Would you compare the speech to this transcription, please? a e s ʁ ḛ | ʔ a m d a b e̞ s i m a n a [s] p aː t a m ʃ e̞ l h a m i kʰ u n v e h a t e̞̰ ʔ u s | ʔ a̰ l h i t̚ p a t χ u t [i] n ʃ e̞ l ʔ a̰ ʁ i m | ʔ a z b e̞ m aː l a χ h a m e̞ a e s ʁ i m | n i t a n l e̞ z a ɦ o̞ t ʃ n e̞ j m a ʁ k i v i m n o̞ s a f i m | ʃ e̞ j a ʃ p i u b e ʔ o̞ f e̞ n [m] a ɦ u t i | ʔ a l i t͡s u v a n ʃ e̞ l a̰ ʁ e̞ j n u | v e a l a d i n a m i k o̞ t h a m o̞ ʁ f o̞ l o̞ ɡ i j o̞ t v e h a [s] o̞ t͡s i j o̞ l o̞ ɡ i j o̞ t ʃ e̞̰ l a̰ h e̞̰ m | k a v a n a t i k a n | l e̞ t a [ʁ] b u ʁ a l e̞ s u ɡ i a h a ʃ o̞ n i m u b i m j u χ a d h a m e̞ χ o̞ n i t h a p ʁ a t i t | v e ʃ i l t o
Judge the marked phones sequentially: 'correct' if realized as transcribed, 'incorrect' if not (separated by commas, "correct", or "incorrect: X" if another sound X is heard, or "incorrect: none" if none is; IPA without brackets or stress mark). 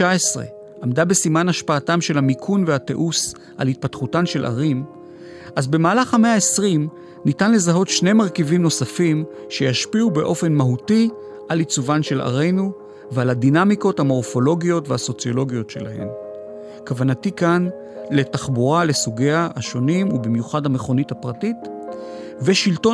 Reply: incorrect: ʃ, incorrect: a, correct, correct, incorrect: χ